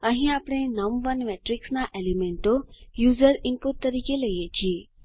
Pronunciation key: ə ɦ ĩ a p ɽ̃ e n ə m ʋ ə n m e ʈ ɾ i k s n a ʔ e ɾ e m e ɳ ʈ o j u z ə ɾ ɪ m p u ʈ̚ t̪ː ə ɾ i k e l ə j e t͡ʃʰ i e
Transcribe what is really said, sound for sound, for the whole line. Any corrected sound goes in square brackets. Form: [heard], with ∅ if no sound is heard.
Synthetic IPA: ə ɦ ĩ a p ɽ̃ e n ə m ʋ ə n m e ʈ ɾ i k s n a ʔ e [l] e m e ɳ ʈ o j u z ə ɾ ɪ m p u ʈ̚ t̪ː ə ɾ i k e l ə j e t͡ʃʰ i e